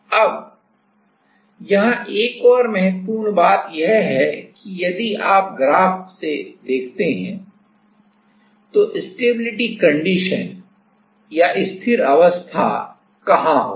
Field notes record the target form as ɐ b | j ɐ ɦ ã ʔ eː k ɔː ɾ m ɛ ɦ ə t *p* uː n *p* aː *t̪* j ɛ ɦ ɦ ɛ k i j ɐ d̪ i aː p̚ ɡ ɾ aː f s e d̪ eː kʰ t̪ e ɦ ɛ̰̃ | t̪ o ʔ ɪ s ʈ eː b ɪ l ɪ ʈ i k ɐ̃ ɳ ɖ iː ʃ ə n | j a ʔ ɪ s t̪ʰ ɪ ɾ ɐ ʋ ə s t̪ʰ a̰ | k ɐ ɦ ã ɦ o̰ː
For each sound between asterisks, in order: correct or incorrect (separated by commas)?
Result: correct, incorrect, correct